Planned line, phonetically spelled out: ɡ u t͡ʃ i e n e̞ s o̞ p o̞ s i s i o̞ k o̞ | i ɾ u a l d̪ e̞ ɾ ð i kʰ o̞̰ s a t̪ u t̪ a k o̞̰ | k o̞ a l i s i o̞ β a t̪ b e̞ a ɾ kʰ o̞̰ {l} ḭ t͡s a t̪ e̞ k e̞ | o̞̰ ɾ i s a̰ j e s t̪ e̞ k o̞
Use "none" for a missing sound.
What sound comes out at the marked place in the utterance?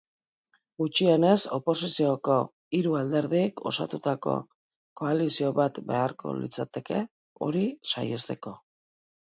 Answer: l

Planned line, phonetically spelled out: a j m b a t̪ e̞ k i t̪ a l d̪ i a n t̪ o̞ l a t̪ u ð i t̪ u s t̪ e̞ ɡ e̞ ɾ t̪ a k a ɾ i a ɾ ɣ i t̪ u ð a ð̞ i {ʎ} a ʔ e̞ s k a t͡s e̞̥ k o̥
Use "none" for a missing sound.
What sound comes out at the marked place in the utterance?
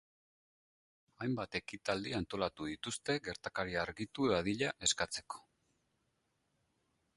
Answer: ʎ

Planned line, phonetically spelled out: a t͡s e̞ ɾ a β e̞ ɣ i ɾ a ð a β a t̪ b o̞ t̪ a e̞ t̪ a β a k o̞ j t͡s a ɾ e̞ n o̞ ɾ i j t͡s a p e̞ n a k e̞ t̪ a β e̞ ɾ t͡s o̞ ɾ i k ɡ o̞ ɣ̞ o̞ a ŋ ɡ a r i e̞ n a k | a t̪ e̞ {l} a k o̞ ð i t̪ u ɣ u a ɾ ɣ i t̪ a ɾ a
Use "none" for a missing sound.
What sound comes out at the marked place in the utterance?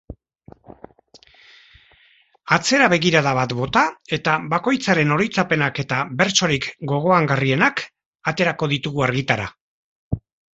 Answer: ɾ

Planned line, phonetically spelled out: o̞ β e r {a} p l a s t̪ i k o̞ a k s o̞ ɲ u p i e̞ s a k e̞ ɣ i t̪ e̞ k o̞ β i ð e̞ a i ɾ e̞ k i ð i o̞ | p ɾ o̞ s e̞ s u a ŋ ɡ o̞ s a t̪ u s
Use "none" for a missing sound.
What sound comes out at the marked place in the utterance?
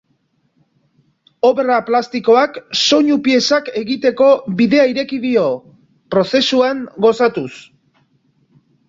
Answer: a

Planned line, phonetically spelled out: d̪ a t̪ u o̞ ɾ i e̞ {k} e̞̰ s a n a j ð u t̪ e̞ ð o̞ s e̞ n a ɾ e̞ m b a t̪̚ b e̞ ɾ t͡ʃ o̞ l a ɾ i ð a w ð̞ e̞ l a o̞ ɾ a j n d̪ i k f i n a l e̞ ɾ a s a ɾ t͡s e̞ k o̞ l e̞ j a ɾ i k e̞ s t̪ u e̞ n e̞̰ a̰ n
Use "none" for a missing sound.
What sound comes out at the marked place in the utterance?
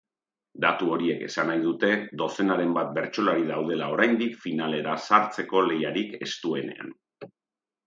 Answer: k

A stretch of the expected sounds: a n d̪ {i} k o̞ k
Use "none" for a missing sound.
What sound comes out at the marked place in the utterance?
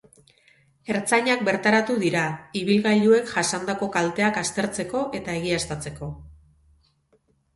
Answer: a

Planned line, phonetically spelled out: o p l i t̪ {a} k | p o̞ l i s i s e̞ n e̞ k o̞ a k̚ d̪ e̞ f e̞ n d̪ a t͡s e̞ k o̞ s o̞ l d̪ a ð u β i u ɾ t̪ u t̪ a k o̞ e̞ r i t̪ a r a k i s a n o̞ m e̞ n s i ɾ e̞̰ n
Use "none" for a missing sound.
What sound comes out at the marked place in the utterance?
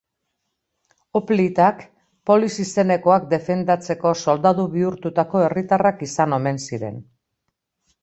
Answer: a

